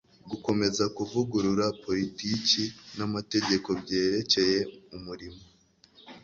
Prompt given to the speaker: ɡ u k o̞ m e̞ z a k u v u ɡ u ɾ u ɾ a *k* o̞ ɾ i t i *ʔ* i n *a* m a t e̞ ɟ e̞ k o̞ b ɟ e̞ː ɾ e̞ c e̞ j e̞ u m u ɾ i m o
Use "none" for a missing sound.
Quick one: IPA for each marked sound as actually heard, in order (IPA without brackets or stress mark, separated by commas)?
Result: p, c, a